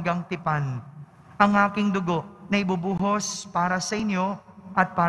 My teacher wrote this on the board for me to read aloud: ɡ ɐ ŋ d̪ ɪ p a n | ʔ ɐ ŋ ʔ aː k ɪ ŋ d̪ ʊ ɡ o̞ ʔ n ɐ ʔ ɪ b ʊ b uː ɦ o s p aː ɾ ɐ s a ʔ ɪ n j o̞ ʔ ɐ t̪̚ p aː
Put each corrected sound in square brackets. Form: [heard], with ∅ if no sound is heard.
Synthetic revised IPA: ɡ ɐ ŋ [t̪] ɪ p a n | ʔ ɐ ŋ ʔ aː k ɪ ŋ d̪ ʊ ɡ o̞ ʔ n ɐ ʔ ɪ b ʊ b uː ɦ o s p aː ɾ ɐ s [ɐ] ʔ ɪ n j o̞ ʔ ɐ t̪̚ p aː